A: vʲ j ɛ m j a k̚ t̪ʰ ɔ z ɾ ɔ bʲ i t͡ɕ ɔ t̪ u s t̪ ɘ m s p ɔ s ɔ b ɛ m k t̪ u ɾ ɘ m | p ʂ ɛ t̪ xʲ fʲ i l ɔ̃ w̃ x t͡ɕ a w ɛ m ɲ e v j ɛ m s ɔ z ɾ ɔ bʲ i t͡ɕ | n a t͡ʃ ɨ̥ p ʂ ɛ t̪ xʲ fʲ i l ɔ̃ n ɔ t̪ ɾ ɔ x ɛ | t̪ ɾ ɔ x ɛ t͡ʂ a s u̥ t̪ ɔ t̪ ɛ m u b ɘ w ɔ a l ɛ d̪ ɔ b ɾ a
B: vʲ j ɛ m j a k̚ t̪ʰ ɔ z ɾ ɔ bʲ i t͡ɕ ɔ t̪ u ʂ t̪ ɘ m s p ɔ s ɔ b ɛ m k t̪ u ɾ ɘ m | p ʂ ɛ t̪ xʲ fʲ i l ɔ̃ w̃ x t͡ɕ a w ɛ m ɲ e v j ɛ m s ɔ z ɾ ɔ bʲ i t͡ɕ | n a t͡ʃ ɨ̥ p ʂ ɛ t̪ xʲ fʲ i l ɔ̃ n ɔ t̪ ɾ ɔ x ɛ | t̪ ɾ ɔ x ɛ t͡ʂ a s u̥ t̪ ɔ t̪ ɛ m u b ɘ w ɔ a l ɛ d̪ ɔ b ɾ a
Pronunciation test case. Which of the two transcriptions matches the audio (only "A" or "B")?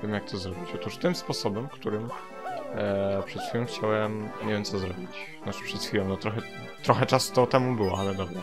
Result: B